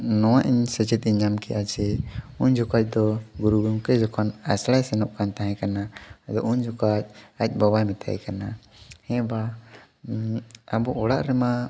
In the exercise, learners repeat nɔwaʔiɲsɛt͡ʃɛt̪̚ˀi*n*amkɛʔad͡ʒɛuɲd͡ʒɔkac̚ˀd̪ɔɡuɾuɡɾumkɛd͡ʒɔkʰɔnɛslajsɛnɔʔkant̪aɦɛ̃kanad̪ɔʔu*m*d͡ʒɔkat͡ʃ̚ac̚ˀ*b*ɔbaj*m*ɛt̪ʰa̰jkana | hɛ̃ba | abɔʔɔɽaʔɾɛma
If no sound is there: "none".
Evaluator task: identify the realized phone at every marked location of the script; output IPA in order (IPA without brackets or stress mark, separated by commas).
ɲ, ɲ, b, m